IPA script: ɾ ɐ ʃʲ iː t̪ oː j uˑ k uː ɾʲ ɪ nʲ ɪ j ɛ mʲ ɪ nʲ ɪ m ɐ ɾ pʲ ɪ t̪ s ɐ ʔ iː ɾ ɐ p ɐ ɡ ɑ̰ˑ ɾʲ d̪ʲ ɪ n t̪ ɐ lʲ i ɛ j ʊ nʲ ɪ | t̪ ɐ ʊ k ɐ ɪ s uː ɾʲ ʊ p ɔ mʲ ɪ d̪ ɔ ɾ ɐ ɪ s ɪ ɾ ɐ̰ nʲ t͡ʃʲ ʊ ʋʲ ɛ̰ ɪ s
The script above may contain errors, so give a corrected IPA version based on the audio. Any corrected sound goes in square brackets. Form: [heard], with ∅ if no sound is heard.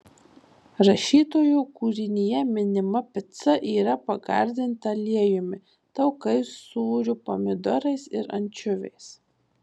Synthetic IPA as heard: ɾ ɐ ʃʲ iː t̪ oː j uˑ k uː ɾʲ ɪ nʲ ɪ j ɛ mʲ ɪ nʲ ɪ m ɐ [∅] pʲ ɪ t̪ s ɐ ʔ iː ɾ ɐ p ɐ ɡ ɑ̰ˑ ɾʲ d̪ʲ ɪ n t̪ ɐ lʲ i ɛ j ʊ [mʲ] ɪ | t̪ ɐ ʊ k ɐ ɪ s uː ɾʲ ʊ p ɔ mʲ ɪ d̪ ɔ ɾ ɐ ɪ s ɪ ɾ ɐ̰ nʲ t͡ʃʲ ʊ ʋʲ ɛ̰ ɪ s